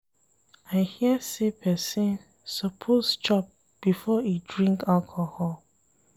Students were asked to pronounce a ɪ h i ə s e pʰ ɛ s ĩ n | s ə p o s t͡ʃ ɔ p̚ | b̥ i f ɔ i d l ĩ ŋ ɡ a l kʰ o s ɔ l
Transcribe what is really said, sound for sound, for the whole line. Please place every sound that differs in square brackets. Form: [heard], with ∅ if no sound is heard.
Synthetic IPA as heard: a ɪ h i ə s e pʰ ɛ s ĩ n | s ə [pʰ] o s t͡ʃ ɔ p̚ | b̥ i f ɔ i d [ɹ] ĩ ŋ [k] a l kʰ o [h] ɔ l